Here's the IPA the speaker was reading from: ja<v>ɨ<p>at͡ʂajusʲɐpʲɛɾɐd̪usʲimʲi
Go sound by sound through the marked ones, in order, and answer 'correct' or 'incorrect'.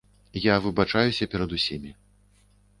correct, incorrect: b

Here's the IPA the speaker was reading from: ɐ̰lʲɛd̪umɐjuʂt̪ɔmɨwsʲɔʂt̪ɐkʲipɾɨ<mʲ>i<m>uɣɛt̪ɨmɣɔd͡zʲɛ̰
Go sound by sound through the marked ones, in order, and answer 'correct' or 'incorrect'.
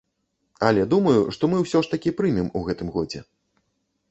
correct, correct

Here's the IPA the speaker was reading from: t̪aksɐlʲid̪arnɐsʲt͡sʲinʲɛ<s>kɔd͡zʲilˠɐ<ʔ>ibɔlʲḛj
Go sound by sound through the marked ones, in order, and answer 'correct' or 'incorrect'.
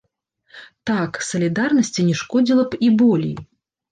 incorrect: ʂ, incorrect: p

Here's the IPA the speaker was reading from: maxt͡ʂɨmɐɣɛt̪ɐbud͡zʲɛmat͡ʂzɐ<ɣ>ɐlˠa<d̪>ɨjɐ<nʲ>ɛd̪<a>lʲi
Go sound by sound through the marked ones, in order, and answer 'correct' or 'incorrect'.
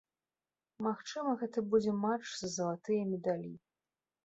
incorrect: z, incorrect: t̪, incorrect: mʲ, correct

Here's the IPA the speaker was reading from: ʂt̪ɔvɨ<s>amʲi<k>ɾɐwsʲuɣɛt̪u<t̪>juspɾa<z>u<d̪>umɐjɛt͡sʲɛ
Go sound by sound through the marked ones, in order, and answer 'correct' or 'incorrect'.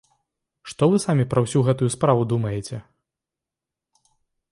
correct, incorrect: p, incorrect: none, incorrect: v, correct

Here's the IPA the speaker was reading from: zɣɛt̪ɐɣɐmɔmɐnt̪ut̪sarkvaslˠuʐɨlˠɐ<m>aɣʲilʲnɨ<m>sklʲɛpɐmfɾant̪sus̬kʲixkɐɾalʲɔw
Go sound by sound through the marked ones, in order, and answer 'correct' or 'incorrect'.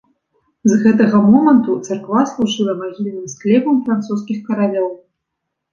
correct, correct

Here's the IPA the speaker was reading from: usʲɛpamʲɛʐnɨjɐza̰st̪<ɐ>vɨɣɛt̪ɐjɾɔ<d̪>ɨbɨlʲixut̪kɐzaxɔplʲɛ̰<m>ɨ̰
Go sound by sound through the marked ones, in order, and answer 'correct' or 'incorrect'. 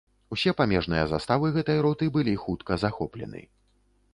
incorrect: a, incorrect: t̪, incorrect: n

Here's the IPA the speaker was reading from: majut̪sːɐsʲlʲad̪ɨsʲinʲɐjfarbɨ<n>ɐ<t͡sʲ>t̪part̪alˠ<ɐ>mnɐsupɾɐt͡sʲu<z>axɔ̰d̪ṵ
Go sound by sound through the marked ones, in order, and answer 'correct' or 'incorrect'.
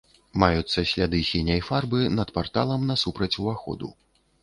correct, incorrect: none, correct, incorrect: v

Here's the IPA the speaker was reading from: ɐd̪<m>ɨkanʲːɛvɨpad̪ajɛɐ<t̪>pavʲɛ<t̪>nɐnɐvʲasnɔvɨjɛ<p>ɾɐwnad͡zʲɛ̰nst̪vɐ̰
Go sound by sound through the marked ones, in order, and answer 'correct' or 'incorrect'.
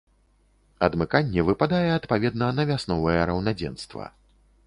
correct, correct, incorrect: d̪, incorrect: none

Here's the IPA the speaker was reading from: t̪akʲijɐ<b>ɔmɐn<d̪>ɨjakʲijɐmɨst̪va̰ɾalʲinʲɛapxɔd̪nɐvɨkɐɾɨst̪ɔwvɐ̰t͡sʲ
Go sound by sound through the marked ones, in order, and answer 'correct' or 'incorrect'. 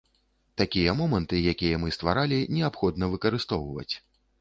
incorrect: m, incorrect: t̪

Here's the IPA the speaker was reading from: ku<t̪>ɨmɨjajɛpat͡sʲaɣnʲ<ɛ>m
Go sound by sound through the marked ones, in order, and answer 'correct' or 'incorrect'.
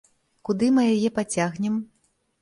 incorrect: d̪, correct

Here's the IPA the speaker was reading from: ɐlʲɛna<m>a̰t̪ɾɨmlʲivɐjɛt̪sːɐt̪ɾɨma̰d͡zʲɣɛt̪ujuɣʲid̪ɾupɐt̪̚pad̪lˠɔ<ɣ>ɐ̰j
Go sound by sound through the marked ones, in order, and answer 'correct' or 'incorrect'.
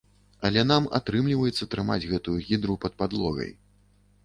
correct, correct

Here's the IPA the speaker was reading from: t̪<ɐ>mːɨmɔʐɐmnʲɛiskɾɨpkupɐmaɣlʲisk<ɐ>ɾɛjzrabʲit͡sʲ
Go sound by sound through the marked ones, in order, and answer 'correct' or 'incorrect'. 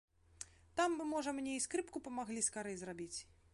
incorrect: a, incorrect: a

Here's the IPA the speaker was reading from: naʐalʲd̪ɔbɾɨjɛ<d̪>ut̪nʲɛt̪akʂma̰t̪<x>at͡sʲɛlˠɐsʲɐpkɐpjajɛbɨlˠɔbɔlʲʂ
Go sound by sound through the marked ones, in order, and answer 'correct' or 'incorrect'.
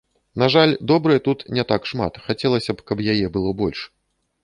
incorrect: t̪, correct

